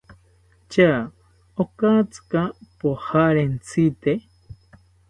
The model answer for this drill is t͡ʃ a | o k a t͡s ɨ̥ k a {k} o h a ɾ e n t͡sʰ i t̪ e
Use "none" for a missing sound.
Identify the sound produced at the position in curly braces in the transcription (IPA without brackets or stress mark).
p